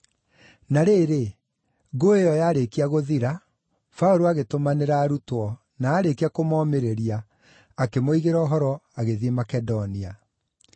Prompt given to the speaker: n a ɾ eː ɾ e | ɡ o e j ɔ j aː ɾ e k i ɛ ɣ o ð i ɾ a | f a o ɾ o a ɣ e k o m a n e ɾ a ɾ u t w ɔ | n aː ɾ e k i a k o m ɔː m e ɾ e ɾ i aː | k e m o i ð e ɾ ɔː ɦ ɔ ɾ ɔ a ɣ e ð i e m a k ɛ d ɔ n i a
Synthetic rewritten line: n a ɾ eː ɾ e | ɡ o e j ɔ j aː ɾ e k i a ɣ o ð i ɾ a | f a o ɾ o a ɣ e t o m a n e ɾ a ɾ u t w ɔ | n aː ɾ e k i a k o m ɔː m e ɾ e ɾ i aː | k e m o i ɣ e ɾ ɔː ɦ ɔ ɾ ɔ a ɣ e ð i e m a k ɛ d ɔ n i a